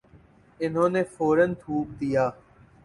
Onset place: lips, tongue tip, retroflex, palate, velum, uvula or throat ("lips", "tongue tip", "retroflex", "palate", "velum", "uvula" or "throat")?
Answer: tongue tip